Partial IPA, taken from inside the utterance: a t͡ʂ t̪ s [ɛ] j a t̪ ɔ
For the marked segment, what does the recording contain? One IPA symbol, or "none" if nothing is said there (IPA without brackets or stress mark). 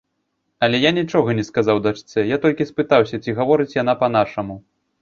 ɛ